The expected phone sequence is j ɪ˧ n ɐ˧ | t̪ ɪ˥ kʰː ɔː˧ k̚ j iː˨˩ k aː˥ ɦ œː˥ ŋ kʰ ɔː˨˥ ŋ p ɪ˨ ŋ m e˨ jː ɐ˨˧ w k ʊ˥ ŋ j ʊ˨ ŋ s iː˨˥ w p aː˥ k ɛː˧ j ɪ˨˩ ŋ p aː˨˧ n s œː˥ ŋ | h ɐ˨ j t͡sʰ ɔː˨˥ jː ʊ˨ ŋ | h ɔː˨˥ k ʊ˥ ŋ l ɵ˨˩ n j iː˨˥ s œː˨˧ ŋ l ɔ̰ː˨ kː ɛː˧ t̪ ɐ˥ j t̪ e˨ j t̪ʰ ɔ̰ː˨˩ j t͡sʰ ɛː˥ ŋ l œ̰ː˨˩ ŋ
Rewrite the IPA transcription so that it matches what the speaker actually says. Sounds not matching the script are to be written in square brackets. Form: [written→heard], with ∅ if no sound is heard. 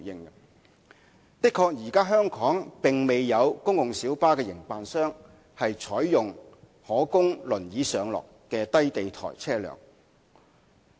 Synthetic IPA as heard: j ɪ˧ [n→ŋ] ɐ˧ | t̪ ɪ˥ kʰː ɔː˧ k̚ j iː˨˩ k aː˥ ɦ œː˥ ŋ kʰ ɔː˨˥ ŋ p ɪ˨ ŋ m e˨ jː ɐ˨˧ w k ʊ˥ ŋ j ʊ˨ ŋ s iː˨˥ w p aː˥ k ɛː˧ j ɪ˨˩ ŋ p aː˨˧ n s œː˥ ŋ | h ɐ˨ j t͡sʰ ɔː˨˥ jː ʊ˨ ŋ | h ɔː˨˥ k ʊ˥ ŋ l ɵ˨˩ n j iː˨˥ s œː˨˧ ŋ l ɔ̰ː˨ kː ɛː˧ t̪ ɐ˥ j t̪ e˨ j t̪ʰ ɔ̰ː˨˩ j t͡sʰ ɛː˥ [ŋ→∅] l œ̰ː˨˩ ŋ